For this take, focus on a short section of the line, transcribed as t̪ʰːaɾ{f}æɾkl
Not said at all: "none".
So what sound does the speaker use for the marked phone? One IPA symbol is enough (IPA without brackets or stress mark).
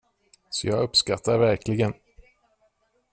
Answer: v